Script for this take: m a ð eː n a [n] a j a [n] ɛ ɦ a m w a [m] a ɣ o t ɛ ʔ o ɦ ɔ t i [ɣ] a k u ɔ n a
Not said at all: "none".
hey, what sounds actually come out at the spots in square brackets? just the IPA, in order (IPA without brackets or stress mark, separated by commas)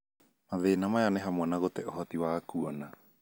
m, n, n, w